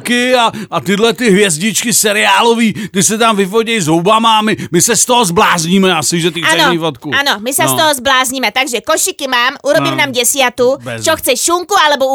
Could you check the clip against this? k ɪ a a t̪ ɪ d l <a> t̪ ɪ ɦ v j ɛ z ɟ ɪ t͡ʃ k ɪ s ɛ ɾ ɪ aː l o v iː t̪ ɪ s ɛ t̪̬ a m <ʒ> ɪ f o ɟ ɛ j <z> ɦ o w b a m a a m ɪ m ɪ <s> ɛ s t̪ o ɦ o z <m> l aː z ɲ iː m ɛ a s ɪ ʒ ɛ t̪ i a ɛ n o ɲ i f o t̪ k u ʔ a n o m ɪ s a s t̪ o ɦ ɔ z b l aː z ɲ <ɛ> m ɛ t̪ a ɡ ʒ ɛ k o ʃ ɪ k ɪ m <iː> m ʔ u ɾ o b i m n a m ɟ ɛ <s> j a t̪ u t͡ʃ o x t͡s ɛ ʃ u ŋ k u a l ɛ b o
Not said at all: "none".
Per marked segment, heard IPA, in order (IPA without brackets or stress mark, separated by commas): ɛ, v, z, s, b, i, aː, s